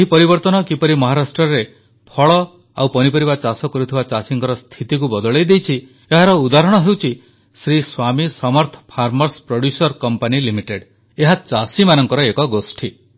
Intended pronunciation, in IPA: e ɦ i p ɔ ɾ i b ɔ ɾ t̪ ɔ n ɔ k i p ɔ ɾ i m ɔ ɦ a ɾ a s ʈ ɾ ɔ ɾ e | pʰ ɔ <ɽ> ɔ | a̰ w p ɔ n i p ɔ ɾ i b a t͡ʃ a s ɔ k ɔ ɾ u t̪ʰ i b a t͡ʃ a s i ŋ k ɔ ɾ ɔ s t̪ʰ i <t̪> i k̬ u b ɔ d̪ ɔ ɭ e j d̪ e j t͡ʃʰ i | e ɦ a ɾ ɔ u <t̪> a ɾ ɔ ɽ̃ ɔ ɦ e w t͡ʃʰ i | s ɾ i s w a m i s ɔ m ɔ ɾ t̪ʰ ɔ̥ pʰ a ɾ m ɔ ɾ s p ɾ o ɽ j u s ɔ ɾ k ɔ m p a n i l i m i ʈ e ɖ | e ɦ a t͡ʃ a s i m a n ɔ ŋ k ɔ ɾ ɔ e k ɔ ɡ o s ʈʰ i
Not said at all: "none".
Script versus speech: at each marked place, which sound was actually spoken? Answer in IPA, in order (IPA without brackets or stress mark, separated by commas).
ɭ, t̪, d̪